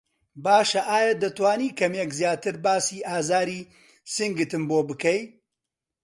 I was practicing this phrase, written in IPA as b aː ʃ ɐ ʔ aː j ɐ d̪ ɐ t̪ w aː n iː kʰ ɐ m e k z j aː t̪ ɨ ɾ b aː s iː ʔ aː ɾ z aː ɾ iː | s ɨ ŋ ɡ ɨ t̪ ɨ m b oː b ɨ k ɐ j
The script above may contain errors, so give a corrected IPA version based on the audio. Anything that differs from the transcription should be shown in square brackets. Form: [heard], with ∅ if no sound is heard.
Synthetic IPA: b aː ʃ ɐ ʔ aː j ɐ d̪ ɐ t̪ w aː n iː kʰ ɐ m e k z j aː t̪ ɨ ɾ b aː s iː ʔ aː [∅] z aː ɾ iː | s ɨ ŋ ɡ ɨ t̪ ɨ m b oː b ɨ k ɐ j